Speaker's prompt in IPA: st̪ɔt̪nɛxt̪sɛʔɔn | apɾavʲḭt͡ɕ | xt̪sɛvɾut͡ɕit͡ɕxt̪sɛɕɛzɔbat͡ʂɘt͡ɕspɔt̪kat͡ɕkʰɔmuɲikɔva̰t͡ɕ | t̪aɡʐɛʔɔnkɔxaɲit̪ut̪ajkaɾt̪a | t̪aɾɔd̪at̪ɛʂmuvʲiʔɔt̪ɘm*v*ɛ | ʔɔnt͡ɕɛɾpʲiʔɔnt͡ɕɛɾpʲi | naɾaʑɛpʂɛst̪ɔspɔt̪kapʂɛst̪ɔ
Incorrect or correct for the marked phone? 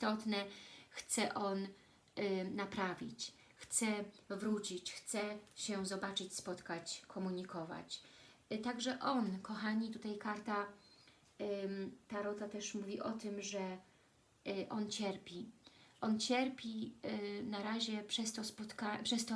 incorrect: ʐ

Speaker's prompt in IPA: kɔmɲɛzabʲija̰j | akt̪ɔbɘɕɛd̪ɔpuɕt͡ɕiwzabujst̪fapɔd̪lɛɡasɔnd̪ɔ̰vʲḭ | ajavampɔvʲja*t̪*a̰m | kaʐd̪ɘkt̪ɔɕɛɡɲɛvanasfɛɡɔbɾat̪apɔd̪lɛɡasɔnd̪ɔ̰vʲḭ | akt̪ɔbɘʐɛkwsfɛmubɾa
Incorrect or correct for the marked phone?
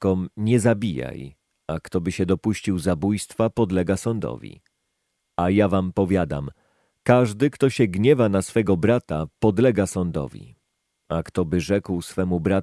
incorrect: d̪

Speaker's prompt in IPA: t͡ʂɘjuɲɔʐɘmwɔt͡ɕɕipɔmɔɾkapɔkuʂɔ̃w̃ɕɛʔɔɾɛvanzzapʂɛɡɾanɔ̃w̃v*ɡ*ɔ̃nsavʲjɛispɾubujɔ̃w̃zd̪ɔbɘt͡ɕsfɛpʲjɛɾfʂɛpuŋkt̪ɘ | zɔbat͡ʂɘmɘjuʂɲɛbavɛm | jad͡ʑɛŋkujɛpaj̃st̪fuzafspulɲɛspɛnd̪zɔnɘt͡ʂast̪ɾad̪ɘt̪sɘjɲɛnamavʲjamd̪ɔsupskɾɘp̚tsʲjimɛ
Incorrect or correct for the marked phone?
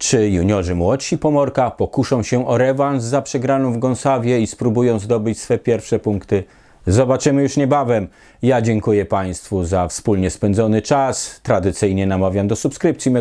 correct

